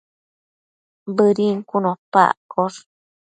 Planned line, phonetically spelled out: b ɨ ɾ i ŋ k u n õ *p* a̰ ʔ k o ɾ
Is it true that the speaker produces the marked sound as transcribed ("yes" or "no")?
yes